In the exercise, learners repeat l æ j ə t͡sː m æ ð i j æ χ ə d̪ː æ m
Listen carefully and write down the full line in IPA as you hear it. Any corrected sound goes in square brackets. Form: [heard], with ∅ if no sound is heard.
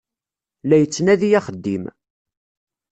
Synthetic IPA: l æ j ə t͡sː [n] æ ð i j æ χ ə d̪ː [i] m

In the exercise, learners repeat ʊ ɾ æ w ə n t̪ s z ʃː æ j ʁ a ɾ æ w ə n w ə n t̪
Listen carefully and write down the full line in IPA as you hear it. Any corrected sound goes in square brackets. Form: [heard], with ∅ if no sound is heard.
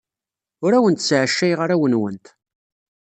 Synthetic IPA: ʊ ɾ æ w ə n t̪ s [ʕ] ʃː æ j ʁ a ɾ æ w ə n w ə n t̪

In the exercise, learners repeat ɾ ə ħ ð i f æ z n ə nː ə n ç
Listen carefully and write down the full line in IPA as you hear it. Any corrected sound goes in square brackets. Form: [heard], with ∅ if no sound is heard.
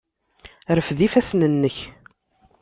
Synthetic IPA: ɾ ə [f] ð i f æ [s] n ə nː ə [∅] ç

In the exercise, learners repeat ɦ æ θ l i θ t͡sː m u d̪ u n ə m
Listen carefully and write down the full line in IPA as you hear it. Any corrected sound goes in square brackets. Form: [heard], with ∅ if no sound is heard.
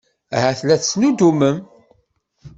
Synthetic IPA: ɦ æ θ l [æ] θ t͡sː [n] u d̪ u [m] ə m

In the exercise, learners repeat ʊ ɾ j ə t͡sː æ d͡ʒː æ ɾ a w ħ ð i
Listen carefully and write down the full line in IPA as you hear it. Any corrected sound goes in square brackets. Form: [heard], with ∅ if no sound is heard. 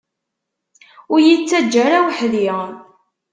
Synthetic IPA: ʊ ɾ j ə t͡sː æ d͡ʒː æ ɾ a w ħ ð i

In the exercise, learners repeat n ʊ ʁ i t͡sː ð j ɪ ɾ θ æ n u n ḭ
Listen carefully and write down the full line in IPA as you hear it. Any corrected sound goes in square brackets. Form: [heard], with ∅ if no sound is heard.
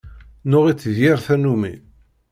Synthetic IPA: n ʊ ʁ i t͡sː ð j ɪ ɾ θ æ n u [m] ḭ

